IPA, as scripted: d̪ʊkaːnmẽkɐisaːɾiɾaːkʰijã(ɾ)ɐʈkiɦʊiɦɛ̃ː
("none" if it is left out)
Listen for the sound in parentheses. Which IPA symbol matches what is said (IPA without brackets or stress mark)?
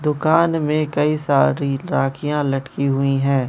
l